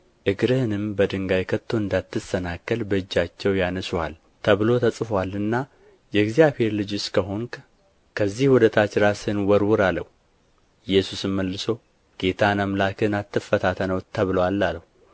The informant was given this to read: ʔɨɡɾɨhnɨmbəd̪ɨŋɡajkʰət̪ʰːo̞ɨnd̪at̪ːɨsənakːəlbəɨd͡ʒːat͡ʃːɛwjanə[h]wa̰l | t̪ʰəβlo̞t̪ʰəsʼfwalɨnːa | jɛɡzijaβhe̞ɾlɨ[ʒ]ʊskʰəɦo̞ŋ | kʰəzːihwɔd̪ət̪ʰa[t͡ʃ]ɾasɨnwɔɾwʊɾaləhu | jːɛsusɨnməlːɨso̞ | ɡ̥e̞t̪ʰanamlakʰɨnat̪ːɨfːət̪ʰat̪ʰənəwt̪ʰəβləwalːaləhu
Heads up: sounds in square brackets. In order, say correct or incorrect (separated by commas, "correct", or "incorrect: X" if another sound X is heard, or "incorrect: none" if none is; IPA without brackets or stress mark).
incorrect: s, incorrect: d͡ʒ, correct